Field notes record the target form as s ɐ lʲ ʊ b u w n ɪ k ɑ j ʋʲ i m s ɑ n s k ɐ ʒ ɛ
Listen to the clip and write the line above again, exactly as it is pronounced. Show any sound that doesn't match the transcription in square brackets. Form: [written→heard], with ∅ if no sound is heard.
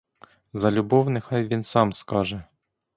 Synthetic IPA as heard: [s→z] ɐ lʲ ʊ b [u→ɔ] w n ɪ [k→x] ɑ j ʋʲ i [m→n] s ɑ [n→m] s k [ɐ→ɑ] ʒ ɛ